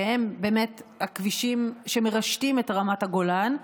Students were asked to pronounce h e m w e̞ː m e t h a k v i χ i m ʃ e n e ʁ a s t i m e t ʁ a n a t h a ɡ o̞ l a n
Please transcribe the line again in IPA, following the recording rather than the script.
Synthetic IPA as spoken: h e m b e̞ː m e t h a k v i ʃ i m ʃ e m e ʁ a ʃ t i m e t ʁ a m a t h a ɡ o̞ l a n

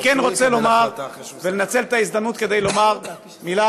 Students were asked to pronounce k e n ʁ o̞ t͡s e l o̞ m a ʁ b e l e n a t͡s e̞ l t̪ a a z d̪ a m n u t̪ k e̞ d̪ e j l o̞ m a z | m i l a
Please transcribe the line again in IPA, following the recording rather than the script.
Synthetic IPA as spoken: k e n ʁ o̞ t͡s e l o̞ m a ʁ v e l e n a t͡s e̞ l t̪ a i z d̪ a m n u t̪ k e̞ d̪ e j l o̞ m a ʁ | m i l a

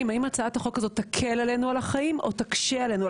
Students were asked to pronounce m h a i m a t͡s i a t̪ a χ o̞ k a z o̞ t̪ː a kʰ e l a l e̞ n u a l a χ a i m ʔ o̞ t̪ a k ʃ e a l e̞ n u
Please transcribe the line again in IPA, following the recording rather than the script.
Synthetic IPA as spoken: m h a i m a t͡s a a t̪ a χ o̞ k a z o̞ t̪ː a kʰ e l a l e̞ n u a l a χ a i m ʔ o̞ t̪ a k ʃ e a l e̞ n u

